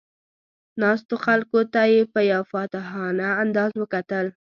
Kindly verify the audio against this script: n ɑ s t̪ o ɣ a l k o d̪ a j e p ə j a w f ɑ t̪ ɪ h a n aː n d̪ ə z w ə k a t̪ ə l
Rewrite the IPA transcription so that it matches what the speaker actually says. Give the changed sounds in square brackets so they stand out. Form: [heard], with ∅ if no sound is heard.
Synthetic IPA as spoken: n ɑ s t̪ o [x] a l k o [t̪] a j e p ə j a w f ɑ t̪ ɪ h [ɑ] n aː n d̪ [ɑ] z w ə k a t̪ ə l

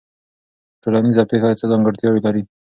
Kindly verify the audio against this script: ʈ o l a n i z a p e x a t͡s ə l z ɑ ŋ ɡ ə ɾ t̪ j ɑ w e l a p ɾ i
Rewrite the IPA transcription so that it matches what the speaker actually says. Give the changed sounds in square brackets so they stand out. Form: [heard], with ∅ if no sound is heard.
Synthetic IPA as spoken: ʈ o l a n i z a p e x a t͡s ə [∅] z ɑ ŋ ɡ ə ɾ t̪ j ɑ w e l a [∅] ɾ i

